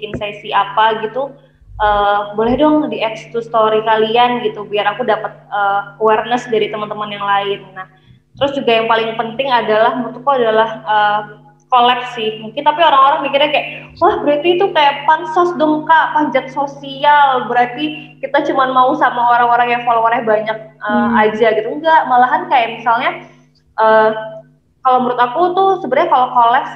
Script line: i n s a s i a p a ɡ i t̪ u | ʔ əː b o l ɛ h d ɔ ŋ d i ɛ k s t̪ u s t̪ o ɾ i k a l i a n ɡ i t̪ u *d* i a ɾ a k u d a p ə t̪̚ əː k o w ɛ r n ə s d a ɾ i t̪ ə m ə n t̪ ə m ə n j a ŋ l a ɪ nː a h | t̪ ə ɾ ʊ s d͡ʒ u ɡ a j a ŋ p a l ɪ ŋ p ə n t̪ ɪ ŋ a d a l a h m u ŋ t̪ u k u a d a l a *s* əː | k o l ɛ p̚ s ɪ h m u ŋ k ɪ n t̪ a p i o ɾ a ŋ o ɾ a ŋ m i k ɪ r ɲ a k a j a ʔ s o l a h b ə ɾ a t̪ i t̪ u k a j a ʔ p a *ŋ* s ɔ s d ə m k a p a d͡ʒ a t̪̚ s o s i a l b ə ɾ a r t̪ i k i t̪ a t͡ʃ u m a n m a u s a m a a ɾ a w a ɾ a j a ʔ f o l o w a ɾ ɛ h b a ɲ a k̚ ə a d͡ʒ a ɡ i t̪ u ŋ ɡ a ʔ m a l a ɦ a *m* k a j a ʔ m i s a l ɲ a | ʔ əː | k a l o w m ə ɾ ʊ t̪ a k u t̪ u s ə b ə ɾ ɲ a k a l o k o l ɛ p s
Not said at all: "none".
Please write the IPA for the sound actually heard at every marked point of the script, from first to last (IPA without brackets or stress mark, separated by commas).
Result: b, h, n, n